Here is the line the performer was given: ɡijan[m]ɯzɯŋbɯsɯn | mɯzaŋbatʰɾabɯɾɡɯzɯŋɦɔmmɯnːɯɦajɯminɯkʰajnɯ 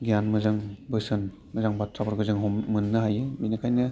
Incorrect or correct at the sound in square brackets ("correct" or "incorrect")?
correct